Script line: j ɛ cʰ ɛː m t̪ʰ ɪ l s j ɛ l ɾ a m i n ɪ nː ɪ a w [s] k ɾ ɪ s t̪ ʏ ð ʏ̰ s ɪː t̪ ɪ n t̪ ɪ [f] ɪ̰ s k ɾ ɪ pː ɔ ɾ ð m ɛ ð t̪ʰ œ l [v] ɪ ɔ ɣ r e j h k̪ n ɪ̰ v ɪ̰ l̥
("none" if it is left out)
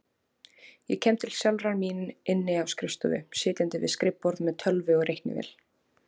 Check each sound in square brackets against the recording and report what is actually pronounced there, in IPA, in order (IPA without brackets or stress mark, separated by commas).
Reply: s, v, v